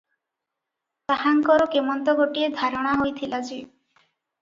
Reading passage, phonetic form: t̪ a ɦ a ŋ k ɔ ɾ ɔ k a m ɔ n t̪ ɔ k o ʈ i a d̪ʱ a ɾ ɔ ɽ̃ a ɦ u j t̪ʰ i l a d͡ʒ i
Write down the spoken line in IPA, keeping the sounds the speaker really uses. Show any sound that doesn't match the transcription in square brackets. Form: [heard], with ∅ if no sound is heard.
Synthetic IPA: t̪ a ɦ a ŋ k ɔ ɾ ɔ k [e] m ɔ n t̪ ɔ [ɡ] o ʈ i [e] d̪ʱ a ɾ ɔ ɽ̃ a ɦ [o] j t̪ʰ i l a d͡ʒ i